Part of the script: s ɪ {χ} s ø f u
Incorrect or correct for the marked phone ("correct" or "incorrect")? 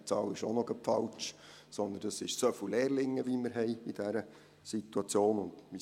incorrect